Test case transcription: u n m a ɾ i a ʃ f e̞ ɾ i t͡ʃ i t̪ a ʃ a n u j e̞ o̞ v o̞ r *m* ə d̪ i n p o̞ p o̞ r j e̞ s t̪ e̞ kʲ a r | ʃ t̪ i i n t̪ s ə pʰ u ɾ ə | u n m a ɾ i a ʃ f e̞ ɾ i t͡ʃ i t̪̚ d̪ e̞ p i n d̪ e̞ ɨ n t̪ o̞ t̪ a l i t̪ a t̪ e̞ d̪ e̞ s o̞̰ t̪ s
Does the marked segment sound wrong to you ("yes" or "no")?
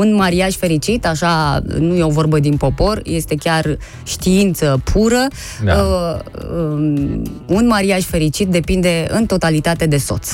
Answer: yes